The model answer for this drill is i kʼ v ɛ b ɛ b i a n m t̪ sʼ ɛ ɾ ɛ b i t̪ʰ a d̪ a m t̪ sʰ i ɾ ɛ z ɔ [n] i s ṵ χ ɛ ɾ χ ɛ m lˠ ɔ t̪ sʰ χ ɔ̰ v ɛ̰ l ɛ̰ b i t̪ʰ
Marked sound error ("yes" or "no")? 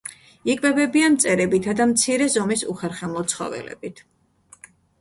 yes